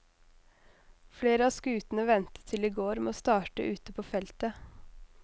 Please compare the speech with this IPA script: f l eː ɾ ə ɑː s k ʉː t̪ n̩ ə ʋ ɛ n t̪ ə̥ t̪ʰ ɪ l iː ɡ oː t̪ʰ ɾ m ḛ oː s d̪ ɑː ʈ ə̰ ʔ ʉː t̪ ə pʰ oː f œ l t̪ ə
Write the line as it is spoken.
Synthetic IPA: f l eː ɾ ə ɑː s k ʉː t̪ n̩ ə ʋ ɛ n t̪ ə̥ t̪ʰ ɪ l iː ɡ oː ɾ m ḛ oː s t̪ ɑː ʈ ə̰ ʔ ʉː t̪ ə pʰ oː f ɛ l t̪ ə